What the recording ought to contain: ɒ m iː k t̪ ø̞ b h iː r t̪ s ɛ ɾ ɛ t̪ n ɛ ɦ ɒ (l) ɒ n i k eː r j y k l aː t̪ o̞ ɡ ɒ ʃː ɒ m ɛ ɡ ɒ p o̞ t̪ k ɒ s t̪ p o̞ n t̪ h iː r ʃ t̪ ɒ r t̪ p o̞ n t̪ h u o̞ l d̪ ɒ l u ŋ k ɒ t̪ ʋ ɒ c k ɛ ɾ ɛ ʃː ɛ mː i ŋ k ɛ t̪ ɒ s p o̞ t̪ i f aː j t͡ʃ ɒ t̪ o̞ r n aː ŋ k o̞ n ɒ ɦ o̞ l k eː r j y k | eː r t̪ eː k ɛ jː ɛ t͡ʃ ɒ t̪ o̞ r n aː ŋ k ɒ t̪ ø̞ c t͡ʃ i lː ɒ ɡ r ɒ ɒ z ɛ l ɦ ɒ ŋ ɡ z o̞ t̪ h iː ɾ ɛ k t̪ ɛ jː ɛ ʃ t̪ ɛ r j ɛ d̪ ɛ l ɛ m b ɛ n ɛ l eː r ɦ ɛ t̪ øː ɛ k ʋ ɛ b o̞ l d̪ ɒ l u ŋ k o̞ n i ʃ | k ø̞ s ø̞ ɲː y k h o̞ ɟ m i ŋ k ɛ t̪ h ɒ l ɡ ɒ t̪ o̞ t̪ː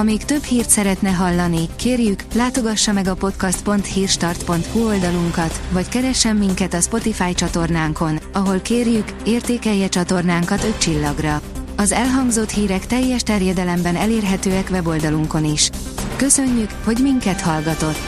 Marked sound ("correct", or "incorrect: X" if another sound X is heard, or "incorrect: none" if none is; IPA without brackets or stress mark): incorrect: lː